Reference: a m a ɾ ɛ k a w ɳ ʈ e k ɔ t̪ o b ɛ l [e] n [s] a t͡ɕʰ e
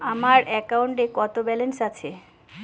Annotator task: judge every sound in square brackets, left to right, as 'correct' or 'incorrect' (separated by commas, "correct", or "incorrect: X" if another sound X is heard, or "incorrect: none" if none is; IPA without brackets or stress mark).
correct, correct